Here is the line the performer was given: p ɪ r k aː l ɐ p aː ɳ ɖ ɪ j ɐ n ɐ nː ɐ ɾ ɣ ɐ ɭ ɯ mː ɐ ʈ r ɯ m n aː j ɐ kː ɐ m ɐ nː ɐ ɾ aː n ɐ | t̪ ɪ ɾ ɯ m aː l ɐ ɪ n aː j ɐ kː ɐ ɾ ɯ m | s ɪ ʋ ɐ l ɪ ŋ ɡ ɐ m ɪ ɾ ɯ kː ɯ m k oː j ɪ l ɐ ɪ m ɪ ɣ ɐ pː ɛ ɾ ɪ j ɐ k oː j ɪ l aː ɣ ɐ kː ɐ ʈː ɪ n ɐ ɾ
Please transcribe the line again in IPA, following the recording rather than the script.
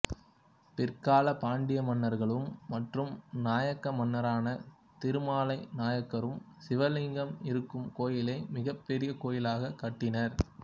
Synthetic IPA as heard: p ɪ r k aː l ɐ p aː ɳ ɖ ɪ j ɐ m ɐ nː ɐ ɾ ɣ ɐ ɭ ɯ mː ɐ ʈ r ɯ m n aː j ɐ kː ɐ m ɐ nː ɐ ɾ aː n ɐ | t̪ ɪ ɾ ɯ m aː l ɐ ɪ n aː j ɐ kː ɐ ɾ ɯ m | s ɪ ʋ ɐ l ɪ ŋ ɡ ɐ m ɪ ɾ ɯ kː ɯ m k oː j ɪ l ɐ ɪ m ɪ ɣ ɐ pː ɛ ɾ ɪ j ɐ k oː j ɪ l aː ɣ ɐ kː ɐ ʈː ɪ n ɐ ɾ